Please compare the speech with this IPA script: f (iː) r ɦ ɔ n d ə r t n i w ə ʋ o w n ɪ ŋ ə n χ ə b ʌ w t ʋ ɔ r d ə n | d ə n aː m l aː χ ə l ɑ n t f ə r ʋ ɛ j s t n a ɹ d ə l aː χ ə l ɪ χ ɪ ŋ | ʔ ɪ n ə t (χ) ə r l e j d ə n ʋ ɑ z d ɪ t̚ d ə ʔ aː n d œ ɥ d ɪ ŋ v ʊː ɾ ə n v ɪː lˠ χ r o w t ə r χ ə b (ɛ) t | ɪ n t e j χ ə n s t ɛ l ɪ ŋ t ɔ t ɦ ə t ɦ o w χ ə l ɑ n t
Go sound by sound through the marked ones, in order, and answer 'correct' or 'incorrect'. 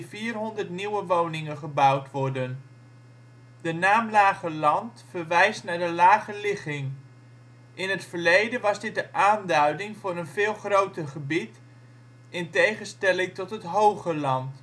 correct, incorrect, incorrect

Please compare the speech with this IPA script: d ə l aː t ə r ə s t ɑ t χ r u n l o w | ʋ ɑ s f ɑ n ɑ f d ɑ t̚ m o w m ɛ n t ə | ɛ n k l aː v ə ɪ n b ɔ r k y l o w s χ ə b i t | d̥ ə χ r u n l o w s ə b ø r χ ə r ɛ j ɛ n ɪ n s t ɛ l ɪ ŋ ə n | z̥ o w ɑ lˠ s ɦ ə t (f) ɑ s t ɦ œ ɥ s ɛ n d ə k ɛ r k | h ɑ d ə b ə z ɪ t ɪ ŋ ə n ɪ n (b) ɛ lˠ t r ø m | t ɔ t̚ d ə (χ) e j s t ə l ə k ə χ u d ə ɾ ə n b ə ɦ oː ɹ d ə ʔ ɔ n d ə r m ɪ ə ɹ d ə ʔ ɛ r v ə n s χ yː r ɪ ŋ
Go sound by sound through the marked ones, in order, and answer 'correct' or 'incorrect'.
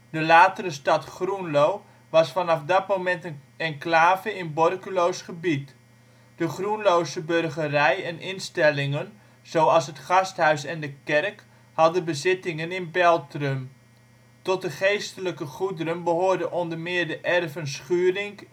incorrect, correct, correct

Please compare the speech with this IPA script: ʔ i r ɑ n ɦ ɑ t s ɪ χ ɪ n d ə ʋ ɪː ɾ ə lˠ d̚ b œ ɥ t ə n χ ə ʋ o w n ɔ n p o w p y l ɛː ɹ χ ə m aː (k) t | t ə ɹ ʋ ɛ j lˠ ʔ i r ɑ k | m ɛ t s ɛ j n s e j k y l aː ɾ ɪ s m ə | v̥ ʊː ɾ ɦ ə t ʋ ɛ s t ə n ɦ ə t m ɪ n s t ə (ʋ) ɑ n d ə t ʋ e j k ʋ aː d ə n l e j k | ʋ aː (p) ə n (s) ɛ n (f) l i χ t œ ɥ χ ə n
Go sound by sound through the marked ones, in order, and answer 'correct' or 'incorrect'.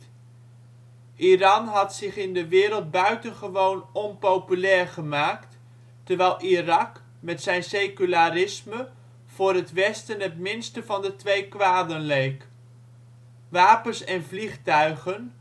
correct, incorrect, correct, correct, incorrect

